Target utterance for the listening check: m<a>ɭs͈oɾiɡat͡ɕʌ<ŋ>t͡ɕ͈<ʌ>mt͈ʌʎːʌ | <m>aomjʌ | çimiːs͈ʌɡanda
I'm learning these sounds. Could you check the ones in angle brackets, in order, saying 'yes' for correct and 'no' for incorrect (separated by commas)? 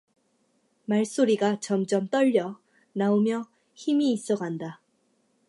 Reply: yes, no, yes, no